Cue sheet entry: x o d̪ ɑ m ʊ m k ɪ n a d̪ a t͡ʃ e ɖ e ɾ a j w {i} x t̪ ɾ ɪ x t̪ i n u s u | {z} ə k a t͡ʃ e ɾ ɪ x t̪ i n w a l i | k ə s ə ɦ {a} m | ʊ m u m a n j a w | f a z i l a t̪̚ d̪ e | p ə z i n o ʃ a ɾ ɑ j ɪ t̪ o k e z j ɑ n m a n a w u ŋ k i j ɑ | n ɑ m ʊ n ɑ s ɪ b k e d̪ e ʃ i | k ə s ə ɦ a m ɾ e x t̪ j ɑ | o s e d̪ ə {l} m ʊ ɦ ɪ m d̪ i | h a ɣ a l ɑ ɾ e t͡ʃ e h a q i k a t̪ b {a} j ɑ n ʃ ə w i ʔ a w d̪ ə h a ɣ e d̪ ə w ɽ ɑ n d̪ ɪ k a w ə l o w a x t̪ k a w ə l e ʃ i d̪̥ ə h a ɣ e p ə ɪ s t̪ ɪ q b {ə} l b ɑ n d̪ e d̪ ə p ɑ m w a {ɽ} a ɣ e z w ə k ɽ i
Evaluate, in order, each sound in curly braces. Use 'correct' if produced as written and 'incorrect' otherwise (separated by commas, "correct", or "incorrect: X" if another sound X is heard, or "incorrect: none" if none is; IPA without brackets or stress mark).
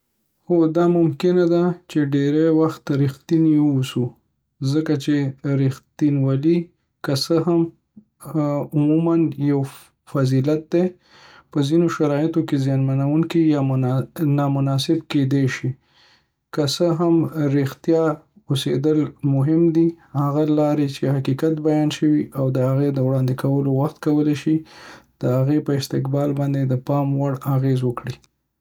incorrect: a, correct, correct, correct, correct, incorrect: ɑ, correct